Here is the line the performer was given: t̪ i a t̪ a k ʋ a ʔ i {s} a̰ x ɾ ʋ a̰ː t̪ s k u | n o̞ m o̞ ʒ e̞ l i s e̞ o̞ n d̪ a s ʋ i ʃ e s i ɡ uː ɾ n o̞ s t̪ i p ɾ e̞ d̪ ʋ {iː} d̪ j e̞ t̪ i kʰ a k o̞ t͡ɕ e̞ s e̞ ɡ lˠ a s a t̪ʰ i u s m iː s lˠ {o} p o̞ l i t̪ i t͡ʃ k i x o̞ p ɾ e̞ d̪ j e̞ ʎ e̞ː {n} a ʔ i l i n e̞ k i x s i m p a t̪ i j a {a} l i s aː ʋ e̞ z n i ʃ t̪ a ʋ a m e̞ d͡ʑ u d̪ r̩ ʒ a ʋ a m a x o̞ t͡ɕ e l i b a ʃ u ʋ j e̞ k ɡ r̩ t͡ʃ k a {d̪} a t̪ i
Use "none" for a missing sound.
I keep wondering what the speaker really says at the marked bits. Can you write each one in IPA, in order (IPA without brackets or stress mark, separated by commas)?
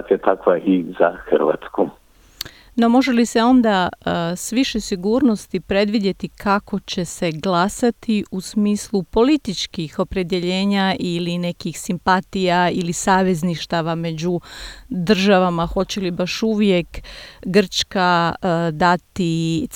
z, i, u, ɲ, i, d̪